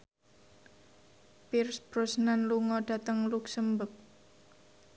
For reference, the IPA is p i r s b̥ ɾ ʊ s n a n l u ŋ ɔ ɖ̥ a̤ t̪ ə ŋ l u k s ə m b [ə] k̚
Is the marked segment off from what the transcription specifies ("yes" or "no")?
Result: no